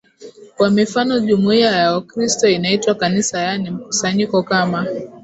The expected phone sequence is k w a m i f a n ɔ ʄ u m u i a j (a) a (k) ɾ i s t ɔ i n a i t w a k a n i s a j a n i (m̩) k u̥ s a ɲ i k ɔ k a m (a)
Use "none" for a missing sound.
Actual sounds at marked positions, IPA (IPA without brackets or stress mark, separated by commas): a, k, m̩, a